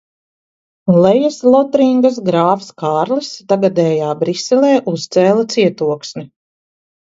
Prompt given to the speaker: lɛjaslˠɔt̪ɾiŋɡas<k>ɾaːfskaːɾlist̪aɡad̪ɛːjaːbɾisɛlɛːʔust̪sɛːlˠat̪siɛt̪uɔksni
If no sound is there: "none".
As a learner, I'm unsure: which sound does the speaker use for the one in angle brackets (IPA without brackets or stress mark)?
ɡ